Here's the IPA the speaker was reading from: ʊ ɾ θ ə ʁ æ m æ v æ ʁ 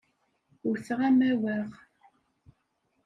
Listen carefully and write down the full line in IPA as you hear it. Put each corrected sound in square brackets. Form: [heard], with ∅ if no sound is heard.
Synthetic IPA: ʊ ɾ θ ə ʁ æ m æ [w] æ ʁ